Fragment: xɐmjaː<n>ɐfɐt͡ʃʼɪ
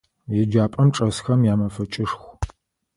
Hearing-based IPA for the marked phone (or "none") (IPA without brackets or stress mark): m